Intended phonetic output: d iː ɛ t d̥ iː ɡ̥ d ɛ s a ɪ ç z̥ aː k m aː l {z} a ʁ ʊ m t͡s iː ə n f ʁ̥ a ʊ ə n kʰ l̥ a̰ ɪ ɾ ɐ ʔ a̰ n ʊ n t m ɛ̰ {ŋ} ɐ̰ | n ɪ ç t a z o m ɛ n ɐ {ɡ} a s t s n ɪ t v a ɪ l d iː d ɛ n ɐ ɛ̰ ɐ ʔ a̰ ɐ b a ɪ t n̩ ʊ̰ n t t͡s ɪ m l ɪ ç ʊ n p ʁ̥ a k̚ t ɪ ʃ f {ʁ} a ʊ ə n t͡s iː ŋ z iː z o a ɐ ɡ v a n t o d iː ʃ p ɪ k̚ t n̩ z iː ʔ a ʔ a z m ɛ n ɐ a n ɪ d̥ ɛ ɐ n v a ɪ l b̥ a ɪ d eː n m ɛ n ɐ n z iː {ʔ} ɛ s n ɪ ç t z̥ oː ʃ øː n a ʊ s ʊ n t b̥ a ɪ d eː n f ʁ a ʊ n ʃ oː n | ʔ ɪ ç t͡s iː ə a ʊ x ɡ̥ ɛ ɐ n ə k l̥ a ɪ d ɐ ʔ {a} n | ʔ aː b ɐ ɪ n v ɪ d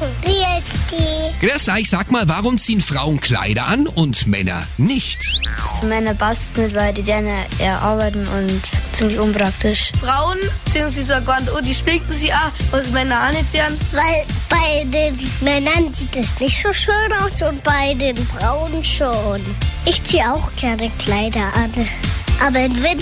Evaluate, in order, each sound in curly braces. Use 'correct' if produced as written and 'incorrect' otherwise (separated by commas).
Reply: incorrect, incorrect, incorrect, correct, incorrect, correct